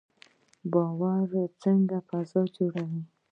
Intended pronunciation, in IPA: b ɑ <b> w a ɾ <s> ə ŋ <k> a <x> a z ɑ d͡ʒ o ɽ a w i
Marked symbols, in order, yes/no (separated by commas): no, no, no, no